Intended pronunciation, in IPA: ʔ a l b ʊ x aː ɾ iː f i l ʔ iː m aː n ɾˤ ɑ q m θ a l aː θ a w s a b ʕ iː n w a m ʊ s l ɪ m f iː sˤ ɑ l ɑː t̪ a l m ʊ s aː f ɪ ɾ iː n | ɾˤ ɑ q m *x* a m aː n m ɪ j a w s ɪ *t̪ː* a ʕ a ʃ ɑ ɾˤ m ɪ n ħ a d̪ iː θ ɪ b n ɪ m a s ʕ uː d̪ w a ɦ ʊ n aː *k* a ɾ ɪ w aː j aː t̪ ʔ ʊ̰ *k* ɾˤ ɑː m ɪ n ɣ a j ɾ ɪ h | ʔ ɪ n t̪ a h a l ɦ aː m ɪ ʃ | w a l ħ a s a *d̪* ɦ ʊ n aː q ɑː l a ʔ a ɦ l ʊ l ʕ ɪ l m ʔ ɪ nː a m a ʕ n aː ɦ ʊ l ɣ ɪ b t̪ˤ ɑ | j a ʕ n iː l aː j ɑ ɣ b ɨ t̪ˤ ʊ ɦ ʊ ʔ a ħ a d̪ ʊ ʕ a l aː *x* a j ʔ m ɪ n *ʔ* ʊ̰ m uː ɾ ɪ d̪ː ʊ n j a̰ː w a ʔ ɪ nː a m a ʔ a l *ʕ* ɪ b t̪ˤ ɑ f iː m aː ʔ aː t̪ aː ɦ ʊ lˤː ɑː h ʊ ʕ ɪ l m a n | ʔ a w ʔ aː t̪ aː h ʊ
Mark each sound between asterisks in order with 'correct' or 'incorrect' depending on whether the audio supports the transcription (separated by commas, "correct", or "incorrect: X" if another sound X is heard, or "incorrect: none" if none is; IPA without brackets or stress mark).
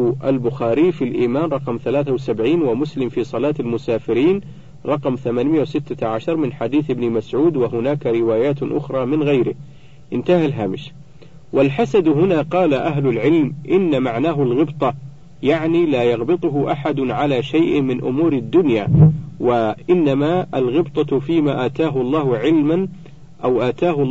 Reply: incorrect: θ, correct, correct, incorrect: x, correct, incorrect: ʃ, correct, incorrect: ɣ